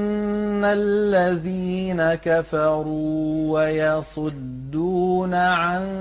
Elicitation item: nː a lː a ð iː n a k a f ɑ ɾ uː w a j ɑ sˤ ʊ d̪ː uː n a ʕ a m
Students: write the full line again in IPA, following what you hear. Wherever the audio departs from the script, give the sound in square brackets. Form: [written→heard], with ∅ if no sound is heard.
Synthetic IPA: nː a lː a ð iː n a k a f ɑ ɾ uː w a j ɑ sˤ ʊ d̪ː uː n a ʕ a [m→n]